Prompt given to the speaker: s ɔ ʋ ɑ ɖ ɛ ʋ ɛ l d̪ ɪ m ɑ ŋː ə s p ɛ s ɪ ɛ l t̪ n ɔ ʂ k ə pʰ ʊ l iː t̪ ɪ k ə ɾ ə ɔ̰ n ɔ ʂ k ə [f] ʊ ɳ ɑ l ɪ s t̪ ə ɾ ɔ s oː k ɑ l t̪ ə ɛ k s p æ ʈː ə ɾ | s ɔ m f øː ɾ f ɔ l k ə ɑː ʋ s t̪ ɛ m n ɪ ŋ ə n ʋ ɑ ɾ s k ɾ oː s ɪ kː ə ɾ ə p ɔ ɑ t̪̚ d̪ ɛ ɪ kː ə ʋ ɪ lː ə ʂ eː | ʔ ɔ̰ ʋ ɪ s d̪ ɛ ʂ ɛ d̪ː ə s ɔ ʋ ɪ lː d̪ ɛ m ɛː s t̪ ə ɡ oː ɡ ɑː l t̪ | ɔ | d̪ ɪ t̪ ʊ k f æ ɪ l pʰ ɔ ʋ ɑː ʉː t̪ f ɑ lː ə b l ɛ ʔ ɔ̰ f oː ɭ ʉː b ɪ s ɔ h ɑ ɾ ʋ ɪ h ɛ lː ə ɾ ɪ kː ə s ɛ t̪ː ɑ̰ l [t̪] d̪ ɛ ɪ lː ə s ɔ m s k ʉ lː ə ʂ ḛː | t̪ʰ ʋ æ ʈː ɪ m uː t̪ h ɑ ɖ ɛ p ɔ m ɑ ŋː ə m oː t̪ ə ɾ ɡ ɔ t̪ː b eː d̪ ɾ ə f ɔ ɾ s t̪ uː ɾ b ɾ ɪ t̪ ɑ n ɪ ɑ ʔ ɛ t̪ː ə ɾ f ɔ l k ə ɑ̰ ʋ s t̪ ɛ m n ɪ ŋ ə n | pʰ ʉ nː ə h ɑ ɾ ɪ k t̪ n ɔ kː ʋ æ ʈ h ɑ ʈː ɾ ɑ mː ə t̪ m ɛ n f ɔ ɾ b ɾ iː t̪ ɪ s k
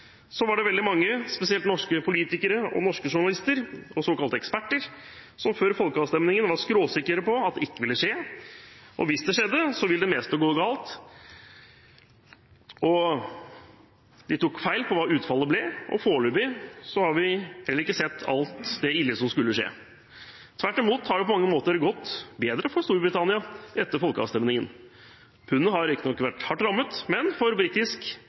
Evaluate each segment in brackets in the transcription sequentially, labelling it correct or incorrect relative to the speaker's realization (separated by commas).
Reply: incorrect, correct